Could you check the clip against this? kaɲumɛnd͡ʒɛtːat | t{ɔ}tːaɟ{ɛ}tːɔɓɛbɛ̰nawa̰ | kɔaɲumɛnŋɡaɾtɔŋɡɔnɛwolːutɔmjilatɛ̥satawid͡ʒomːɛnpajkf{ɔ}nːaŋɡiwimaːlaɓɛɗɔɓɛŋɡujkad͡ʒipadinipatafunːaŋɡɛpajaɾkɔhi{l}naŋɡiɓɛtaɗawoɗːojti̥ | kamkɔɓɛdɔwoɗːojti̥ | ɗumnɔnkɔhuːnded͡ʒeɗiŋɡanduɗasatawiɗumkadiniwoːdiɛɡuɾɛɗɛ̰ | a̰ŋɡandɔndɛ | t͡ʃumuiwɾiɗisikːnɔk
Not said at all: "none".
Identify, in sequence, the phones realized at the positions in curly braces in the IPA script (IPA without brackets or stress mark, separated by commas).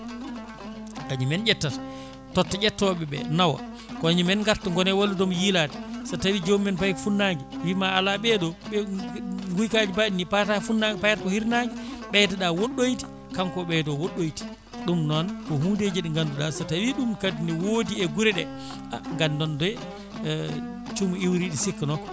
ɔ, ɛ, u, ɾ